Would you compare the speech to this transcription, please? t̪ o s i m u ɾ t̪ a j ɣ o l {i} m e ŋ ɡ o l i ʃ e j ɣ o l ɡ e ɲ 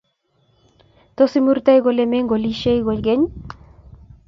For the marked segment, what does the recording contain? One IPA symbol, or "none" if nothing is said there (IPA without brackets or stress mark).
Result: e